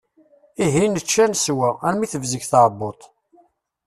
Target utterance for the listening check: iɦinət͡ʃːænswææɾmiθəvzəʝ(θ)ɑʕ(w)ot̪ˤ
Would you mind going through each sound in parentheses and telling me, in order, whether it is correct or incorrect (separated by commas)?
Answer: correct, incorrect